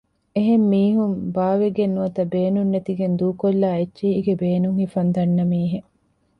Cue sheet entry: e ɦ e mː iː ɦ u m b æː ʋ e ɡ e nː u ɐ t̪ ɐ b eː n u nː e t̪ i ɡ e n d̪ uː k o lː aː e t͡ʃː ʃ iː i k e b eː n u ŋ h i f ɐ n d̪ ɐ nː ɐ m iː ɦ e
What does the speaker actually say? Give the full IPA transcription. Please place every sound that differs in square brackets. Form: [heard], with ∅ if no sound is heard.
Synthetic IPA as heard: e ɦ e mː iː ɦ u m b [aː] ʋ e ɡ e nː u ɐ t̪ ɐ b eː n u nː e t̪ i ɡ e n d̪ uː k o lː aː e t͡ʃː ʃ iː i [ɡ] e b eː n u ŋ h i f ɐ n d̪ ɐ nː ɐ m iː ɦ e